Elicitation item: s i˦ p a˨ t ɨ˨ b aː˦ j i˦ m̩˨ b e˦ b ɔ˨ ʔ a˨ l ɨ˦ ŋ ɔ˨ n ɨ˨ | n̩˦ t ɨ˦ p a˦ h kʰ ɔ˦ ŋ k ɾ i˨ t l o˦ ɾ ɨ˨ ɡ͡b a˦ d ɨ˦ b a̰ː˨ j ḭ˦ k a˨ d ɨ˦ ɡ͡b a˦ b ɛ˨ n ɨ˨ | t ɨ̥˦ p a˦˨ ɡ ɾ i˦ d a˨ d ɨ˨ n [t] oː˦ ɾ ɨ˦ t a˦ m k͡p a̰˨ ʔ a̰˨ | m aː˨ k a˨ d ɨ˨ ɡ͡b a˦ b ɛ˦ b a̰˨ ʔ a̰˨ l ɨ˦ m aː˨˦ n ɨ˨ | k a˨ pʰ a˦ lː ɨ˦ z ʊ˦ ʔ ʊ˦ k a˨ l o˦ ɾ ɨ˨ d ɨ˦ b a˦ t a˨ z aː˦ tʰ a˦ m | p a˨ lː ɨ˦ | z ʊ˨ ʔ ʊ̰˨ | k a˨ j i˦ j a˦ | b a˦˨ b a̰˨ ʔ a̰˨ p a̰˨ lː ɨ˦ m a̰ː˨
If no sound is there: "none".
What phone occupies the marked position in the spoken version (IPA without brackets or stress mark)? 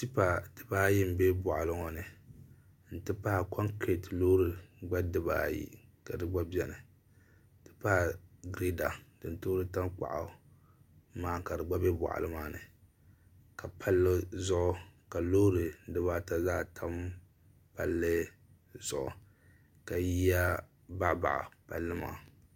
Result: t